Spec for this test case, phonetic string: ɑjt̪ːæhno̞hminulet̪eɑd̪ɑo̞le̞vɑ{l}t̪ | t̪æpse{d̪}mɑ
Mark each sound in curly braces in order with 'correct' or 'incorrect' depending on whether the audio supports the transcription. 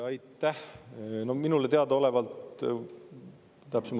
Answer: correct, incorrect: none

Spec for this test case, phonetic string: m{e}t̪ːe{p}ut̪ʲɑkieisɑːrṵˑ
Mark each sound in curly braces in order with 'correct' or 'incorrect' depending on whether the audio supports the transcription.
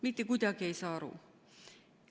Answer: incorrect: i, incorrect: k

